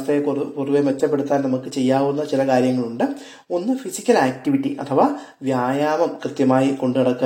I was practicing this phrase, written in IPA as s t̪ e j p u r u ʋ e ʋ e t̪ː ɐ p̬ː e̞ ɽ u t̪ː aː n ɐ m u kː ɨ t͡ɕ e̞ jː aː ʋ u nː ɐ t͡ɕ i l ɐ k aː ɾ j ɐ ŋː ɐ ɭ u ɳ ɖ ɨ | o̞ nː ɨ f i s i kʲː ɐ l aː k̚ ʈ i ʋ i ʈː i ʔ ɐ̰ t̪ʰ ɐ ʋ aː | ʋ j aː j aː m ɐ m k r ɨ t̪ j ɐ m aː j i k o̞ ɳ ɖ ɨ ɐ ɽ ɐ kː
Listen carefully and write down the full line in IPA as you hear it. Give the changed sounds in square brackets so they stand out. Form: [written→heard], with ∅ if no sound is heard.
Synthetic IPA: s t̪ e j p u r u ʋ e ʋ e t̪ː ɐ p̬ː e̞ ɽ u t̪ː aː n ɐ m u kː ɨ t͡ɕ e̞ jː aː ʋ u nː ɐ t͡ɕ i l ɐ k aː ɾ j ɐ ŋː ɐ ɭ u ɳ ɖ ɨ | o̞ nː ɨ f i s i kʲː ɐ l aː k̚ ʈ i ʋ i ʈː i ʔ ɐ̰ t̪ʰ ɐ ʋ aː | ʋ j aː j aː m ɐ m k r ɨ t̪ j ɐ m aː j i k o̞ ɳ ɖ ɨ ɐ ɽ ɐ kː